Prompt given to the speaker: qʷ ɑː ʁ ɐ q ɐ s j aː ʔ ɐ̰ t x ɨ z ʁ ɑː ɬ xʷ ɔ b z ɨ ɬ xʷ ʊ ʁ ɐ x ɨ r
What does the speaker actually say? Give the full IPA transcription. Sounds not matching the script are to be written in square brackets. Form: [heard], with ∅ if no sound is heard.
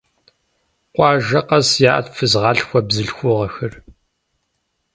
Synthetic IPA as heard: qʷ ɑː [ʒ] ɐ q ɐ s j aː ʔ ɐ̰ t [f] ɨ z ʁ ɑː ɬ xʷ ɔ b z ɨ ɬ xʷ ʊ ʁ ɐ x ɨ r